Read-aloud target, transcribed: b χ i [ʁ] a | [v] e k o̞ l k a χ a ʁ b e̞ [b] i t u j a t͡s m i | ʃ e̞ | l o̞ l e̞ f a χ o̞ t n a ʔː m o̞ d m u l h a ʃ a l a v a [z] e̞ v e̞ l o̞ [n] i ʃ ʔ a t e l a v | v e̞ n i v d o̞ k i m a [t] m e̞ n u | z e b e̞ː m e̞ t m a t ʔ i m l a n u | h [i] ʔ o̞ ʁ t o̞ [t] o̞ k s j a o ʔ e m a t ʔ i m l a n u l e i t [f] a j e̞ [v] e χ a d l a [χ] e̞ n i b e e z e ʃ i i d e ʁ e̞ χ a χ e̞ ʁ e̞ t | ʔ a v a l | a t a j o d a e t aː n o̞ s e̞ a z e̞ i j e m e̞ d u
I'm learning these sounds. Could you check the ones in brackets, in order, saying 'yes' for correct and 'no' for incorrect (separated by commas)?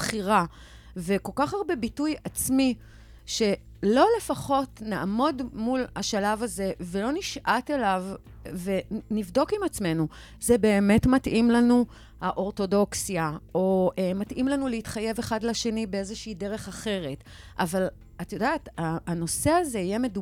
yes, yes, yes, yes, yes, no, no, no, no, yes, no